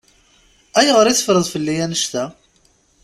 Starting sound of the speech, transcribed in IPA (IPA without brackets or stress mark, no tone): æ